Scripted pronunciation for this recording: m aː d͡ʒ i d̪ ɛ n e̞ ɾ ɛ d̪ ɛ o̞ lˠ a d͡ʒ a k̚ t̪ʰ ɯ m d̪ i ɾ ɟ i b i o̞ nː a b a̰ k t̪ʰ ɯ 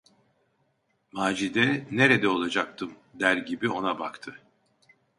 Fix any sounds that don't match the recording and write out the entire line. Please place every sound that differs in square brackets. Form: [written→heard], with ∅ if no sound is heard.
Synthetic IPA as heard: m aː d͡ʒ i d̪ ɛ n e̞ ɾ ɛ d̪ ɛ o̞ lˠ a d͡ʒ a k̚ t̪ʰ ɯ m d̪ [i→æ] ɾ ɟ i b i o̞ [nː→n] a b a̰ k t̪ʰ ɯ